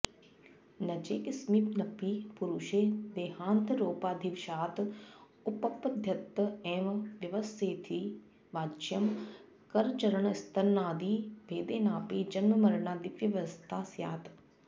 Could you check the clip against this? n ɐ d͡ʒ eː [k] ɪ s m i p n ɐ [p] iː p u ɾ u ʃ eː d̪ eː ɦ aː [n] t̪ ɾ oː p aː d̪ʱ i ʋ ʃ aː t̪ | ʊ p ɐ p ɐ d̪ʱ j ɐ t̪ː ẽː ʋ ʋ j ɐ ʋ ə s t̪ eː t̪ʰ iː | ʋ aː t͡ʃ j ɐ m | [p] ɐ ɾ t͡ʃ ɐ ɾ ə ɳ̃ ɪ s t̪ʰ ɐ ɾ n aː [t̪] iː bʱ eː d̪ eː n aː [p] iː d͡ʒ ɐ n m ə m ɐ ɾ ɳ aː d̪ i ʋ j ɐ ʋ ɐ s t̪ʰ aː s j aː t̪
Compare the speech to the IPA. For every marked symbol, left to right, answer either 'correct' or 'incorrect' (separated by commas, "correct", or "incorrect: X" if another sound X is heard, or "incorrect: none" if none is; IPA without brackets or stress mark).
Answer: correct, correct, correct, incorrect: k, incorrect: d̪, correct